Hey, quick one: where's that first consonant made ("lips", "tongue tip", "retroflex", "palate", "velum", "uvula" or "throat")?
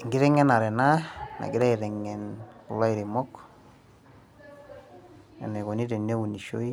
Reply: velum